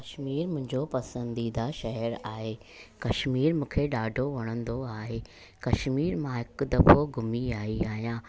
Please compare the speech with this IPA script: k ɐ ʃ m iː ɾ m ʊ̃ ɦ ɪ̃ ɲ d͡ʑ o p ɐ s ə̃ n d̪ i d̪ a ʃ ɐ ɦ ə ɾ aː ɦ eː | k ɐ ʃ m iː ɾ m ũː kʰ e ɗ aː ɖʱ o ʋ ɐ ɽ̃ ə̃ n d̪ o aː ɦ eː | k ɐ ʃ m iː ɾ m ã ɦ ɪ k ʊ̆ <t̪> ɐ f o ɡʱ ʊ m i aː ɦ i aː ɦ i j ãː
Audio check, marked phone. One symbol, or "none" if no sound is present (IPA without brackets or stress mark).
d̪